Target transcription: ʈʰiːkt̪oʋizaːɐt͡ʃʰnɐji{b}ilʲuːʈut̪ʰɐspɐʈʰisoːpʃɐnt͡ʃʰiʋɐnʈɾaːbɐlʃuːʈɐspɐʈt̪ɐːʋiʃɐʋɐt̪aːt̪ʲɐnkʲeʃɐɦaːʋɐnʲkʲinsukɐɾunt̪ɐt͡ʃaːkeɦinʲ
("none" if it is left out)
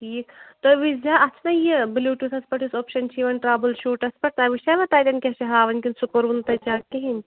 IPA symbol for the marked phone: b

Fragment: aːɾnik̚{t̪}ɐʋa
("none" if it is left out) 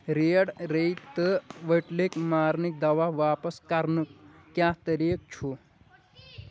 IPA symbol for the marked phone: d̪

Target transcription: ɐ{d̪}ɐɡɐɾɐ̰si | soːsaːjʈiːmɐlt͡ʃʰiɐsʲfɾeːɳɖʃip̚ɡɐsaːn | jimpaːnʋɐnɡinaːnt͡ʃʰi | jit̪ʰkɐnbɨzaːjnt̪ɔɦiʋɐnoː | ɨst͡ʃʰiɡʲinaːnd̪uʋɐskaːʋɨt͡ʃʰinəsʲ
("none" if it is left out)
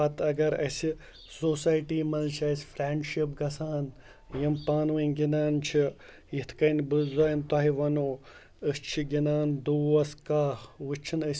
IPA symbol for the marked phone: t̪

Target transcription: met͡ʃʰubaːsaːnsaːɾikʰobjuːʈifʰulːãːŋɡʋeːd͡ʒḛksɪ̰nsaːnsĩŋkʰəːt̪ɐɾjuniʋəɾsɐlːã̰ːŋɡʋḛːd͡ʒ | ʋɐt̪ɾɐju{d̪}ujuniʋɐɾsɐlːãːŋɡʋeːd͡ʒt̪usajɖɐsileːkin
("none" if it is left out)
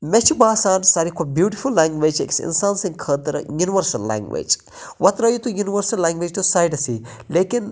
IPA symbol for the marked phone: t̪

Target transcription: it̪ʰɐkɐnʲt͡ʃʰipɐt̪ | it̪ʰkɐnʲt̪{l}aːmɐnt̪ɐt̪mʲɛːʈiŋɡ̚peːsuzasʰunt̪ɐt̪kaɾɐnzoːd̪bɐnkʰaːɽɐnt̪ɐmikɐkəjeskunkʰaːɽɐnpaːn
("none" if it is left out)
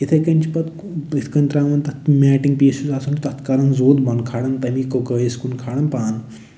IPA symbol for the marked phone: ɾ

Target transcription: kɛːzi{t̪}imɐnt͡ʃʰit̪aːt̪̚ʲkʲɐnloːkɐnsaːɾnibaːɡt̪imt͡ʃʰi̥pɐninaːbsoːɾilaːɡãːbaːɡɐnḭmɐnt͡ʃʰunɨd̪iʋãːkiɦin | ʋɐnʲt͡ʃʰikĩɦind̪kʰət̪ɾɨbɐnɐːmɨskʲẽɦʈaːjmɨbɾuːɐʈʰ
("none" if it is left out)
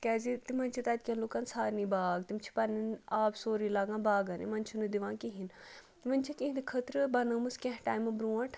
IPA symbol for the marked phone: t̪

